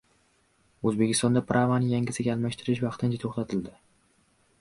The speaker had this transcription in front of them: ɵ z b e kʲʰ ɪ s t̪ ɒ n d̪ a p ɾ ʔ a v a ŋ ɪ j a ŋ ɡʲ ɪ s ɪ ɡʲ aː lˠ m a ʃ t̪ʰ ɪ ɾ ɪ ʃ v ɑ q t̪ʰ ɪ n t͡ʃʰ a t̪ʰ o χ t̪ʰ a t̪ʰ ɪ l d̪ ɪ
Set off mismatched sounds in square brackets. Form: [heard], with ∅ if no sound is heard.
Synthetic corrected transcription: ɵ z b e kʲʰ ɪ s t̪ ɒ n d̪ a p ɾ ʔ a v a [n] ɪ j a ŋ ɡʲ ɪ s ɪ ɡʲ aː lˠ m a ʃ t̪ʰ ɪ ɾ ɪ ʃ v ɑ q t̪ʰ ɪ n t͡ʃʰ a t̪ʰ o χ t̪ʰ a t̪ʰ ɪ l d̪ ɪ